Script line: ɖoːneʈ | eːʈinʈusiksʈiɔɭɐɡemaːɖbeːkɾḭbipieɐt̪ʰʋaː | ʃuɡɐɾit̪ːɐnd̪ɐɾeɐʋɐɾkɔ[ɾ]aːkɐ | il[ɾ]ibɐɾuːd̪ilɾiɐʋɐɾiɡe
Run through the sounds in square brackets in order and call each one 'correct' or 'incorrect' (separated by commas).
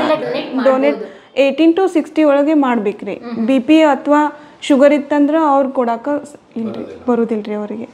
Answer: incorrect, correct